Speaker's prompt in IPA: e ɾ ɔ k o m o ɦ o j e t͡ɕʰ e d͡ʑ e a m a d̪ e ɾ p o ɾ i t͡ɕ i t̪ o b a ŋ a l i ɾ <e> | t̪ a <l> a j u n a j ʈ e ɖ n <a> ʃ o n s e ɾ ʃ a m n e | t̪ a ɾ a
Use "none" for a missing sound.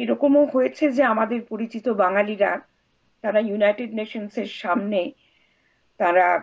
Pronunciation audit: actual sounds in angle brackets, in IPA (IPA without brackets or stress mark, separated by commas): a, ɾ, e